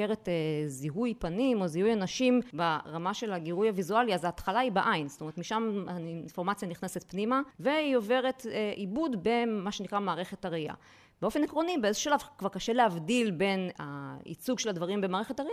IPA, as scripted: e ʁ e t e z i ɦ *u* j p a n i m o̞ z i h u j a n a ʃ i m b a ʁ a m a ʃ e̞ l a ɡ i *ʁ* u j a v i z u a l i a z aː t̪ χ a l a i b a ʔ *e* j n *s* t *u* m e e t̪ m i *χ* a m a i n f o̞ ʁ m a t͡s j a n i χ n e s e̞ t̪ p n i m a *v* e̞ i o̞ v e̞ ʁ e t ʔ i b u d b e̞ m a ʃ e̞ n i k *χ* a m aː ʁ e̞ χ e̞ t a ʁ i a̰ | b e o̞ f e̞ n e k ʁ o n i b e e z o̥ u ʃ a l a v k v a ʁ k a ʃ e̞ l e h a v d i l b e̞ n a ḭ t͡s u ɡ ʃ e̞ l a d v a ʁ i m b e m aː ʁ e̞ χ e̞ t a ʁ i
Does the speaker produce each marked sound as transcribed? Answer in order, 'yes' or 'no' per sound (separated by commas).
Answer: yes, yes, no, yes, no, no, yes, no